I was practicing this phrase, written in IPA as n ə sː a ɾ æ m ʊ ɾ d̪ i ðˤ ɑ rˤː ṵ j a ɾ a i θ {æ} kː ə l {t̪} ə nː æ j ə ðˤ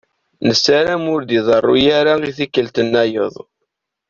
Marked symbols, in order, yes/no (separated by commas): no, yes